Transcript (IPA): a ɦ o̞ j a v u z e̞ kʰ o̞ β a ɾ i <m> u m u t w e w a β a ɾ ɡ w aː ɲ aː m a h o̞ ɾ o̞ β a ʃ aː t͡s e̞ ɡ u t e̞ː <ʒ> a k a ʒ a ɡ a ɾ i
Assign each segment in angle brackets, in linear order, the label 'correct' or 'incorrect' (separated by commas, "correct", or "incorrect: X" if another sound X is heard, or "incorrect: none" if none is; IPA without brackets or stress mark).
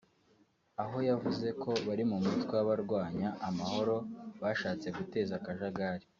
correct, incorrect: z